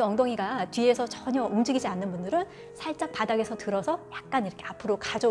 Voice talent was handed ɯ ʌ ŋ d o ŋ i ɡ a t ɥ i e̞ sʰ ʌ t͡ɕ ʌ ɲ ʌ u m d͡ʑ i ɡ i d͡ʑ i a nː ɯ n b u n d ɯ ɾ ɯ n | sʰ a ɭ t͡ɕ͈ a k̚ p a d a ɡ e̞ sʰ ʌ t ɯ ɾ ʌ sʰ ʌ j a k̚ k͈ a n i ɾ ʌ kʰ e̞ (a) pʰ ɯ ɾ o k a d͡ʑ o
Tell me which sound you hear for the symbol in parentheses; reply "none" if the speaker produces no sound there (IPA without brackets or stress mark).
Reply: a